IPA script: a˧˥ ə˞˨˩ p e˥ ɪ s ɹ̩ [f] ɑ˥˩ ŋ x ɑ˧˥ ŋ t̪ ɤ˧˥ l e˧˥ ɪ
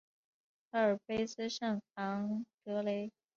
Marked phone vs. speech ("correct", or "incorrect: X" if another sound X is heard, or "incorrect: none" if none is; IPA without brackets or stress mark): incorrect: ʂ